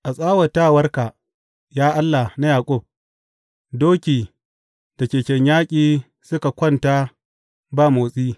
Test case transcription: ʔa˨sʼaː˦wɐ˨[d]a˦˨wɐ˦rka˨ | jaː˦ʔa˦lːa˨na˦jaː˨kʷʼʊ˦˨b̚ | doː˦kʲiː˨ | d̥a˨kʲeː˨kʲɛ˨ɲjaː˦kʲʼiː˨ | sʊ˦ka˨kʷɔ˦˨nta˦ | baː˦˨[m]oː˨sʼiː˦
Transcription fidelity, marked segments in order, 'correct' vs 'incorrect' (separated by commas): incorrect, correct